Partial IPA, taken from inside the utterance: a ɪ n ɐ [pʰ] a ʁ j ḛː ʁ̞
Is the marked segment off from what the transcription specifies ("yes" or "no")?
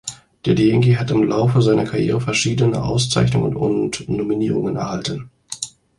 yes